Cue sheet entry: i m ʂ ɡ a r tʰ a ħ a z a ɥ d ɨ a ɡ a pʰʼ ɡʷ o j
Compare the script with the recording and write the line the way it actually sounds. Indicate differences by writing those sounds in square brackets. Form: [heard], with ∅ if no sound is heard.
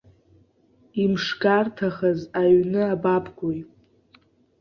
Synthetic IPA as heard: i m ʂ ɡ a r tʰ a [χ] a z a ɥ [n] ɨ a [b] a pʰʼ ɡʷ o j